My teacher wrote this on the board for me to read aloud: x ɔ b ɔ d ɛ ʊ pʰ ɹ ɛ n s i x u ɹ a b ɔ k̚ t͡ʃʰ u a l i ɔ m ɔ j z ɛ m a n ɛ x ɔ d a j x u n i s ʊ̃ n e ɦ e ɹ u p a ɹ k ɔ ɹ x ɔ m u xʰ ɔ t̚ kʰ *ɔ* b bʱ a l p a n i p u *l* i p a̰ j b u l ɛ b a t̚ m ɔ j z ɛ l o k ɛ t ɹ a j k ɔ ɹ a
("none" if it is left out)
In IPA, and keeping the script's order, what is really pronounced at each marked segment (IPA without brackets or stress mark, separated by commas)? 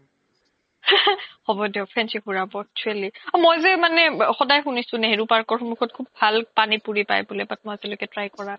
u, ɹ